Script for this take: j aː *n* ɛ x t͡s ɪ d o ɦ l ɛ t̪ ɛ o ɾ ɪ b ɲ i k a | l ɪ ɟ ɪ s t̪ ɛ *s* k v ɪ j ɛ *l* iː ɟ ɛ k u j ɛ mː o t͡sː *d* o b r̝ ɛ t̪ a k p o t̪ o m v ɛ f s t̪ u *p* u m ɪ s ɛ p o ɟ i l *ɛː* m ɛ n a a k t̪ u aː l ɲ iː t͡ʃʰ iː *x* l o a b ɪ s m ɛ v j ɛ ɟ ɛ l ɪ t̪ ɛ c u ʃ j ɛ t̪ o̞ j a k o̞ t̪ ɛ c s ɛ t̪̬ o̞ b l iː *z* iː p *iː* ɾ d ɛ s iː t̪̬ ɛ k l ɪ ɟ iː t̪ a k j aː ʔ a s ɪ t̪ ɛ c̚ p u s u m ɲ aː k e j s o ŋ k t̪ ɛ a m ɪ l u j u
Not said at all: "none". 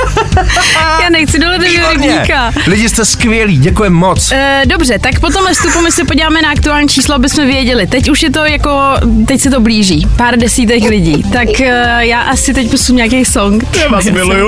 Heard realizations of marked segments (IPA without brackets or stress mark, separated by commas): n, s, l, d, p, aː, s, ʒ, aː